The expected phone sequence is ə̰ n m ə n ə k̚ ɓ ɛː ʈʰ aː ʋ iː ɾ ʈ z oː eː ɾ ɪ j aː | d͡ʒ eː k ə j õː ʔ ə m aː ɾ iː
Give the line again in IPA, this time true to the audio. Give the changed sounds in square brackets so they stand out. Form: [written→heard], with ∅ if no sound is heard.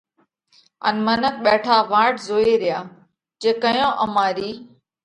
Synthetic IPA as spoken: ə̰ n m ə n ə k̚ ɓ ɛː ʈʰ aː ʋ [iː→aː] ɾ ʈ z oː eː ɾ ɪ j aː | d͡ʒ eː k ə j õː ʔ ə m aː ɾ iː